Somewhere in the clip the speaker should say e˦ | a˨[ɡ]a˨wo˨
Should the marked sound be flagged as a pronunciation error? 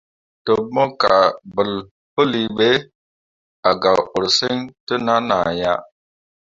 no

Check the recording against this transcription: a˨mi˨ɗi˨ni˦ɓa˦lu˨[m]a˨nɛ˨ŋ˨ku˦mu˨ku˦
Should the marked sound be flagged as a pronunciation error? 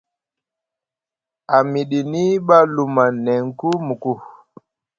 no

